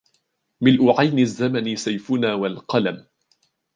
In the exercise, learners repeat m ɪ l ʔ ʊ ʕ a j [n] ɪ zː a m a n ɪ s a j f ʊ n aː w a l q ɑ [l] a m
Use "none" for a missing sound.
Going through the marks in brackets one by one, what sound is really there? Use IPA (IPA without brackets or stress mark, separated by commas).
n, l